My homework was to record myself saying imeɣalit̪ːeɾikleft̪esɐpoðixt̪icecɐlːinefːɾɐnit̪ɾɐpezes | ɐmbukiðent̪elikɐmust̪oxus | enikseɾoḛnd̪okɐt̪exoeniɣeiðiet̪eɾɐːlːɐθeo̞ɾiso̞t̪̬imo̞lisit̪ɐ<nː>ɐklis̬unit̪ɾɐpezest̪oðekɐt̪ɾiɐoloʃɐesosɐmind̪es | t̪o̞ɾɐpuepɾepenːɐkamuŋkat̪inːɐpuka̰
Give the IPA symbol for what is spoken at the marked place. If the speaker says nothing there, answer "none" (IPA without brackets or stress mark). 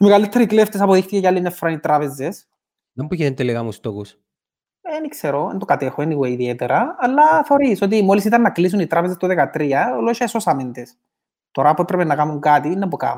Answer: nː